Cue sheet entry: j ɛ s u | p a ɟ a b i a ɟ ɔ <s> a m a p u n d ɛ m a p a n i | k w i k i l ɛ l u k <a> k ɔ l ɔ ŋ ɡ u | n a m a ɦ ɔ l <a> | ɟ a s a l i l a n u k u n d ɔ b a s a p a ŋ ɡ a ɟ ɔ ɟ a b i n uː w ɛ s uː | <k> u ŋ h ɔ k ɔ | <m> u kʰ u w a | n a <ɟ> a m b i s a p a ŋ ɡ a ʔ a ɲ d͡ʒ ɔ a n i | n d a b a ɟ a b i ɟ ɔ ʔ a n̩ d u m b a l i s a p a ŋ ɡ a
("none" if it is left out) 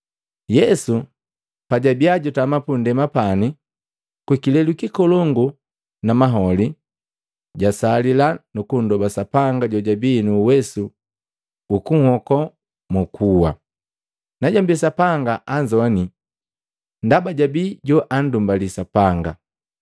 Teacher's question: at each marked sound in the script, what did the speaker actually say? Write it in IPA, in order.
t, i, i, k, m, ɟ

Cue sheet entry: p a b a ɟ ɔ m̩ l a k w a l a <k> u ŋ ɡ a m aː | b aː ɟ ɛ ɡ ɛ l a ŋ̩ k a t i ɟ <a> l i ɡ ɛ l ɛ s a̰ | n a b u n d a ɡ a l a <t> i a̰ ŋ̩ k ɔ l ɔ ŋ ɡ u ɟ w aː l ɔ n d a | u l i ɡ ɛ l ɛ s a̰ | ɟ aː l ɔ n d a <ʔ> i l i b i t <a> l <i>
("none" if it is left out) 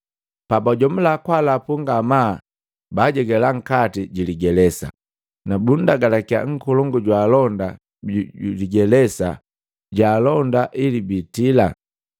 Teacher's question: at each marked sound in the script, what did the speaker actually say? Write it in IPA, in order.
p, i, k, ʔ, i, a

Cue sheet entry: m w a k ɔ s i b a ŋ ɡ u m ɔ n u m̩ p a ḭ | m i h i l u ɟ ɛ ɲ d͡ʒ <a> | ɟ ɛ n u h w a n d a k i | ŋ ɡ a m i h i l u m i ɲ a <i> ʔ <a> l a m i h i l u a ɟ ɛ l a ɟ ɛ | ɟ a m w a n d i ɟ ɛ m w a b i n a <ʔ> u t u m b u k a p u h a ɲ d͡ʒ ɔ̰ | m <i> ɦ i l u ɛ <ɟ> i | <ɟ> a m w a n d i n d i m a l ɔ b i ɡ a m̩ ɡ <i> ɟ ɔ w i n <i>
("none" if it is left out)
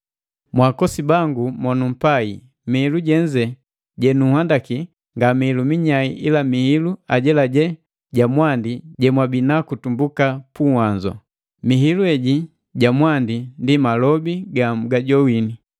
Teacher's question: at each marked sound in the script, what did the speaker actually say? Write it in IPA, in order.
ɛ, i, i, k, i, ɟ, ɟ, a, i

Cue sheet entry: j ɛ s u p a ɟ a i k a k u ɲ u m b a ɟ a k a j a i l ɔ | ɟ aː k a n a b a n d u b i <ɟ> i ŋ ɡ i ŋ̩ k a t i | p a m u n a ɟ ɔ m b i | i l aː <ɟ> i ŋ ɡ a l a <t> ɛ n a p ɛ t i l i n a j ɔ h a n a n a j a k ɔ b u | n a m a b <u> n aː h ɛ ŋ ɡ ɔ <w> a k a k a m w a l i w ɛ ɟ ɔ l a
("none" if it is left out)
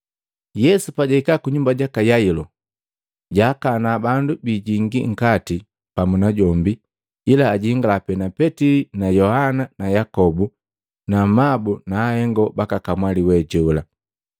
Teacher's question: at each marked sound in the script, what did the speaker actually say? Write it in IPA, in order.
ɟ, ɟ, p, u, b

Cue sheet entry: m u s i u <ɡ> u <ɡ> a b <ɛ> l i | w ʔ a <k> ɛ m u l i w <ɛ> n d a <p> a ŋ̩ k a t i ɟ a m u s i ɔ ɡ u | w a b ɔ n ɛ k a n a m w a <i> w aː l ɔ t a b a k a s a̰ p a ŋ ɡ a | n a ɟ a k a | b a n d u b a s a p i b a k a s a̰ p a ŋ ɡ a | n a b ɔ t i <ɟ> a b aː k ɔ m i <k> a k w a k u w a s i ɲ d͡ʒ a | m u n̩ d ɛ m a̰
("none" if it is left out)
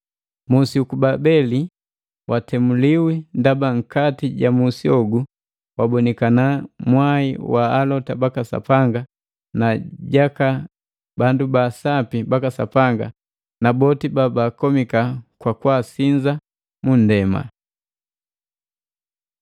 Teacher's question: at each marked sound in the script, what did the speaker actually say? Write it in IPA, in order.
k, b, ɛ, t, i, b, i, b, k

